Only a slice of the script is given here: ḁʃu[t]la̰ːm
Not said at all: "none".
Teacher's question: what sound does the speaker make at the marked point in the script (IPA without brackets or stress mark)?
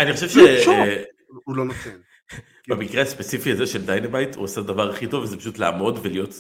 t